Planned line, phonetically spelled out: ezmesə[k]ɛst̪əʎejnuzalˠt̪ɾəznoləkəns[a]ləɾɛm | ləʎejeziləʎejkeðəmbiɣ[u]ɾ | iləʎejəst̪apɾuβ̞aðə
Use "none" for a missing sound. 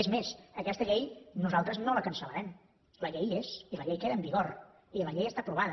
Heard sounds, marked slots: k, ə, o

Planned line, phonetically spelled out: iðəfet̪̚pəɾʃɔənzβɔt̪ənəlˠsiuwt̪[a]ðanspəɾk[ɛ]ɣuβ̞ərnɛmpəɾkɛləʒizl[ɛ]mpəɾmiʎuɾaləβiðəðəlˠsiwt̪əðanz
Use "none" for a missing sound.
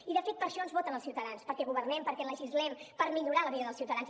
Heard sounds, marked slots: ə, ɛ, ɛ

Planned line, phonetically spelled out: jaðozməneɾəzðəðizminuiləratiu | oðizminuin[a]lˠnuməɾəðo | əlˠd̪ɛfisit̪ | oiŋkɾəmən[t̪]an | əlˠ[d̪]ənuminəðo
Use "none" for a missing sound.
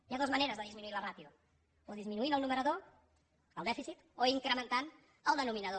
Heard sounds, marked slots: ə, t̪, d̪

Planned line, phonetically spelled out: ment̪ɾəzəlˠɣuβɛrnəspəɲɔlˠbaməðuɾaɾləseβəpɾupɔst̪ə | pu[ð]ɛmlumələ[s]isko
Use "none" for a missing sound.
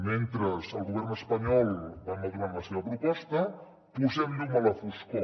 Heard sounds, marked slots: z, f

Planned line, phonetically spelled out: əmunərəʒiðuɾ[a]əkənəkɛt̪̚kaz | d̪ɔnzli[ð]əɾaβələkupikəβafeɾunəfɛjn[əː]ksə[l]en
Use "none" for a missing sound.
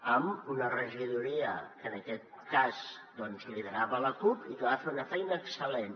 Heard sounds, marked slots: i, ð, əː, l

